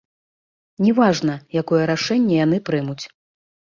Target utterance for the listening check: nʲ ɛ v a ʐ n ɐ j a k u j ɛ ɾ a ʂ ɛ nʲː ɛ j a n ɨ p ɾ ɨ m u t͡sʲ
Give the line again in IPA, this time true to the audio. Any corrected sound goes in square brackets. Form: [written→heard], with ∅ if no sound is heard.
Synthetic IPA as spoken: nʲ ɛ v a ʐ n ɐ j a k [u→ɔ] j ɛ ɾ a ʂ ɛ nʲː ɛ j a n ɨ p ɾ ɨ m u t͡sʲ